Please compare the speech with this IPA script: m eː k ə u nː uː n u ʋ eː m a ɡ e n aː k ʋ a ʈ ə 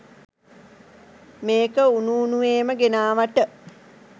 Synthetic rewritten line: m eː k ə u n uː n u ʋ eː m ə ɡ e n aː ʋ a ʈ ə

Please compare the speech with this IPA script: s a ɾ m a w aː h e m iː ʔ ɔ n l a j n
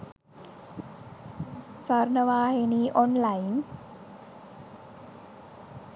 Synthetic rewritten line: s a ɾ n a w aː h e n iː ʔ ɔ n l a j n

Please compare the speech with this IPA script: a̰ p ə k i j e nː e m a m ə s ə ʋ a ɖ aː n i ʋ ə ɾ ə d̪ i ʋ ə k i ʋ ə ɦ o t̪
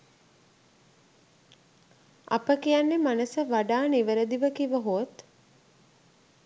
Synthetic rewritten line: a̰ p ə k i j a nː e m a n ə s ə ʋ a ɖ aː n i ʋ ə ɾ ə d̪ i ʋ ə k i ʋ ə ɦ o t̪

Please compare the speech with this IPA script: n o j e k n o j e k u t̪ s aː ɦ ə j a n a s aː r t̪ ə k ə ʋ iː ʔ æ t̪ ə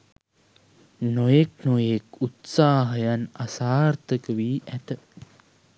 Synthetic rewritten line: n o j e k n o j e k u t̪ s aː ɦ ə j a n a s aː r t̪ ə k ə ʋ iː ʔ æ t̪ ə

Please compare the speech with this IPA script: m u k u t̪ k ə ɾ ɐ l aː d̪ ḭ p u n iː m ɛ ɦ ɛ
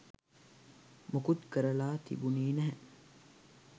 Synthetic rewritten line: m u k u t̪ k ə ɾ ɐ l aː t̪ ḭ b u n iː n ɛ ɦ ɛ

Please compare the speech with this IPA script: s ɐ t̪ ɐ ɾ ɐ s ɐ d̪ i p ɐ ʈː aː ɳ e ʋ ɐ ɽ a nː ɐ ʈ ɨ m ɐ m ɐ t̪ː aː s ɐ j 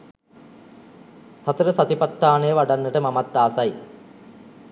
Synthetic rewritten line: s ɐ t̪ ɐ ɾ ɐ s ɐ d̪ i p ɐ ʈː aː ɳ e ʋ ɐ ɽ ɐ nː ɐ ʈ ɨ m ɐ m ɐ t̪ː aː s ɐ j

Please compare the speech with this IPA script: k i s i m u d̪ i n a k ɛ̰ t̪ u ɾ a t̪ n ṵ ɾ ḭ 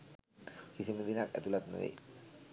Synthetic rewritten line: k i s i m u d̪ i n a k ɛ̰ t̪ u l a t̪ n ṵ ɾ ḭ

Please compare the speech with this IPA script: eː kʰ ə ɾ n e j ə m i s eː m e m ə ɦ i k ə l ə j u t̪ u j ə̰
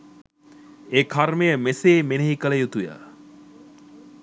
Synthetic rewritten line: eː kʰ a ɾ m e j ə m e s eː m e n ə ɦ i k ə l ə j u t̪ u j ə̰

